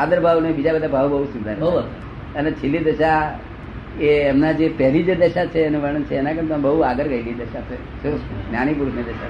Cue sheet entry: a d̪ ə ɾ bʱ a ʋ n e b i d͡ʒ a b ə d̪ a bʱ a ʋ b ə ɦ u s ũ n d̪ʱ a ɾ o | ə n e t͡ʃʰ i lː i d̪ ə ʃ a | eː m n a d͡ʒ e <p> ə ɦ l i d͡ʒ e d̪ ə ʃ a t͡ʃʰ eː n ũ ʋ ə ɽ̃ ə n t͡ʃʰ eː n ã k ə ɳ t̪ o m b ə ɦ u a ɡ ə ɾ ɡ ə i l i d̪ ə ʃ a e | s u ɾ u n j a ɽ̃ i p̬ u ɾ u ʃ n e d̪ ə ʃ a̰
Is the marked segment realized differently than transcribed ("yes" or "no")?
no